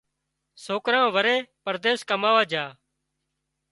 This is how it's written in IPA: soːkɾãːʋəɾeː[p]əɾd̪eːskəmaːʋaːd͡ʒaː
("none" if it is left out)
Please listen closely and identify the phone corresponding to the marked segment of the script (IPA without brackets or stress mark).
p